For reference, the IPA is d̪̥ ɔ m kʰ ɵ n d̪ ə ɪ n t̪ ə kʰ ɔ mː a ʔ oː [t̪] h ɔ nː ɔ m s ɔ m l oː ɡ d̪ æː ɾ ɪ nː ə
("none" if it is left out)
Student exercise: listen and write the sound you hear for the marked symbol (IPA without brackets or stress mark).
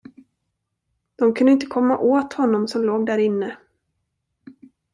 t̪